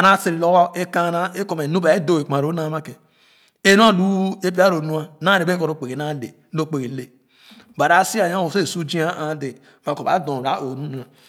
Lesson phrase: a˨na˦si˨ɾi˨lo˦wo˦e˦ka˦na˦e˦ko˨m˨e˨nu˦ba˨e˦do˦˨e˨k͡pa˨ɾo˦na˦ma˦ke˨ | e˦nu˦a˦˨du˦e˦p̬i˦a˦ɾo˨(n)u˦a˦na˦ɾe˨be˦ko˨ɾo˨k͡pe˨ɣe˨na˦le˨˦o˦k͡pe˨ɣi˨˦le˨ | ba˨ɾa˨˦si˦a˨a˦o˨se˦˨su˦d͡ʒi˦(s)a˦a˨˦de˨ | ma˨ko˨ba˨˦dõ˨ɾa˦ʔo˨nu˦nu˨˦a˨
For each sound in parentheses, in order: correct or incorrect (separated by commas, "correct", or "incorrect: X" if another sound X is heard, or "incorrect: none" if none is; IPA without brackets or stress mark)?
correct, incorrect: none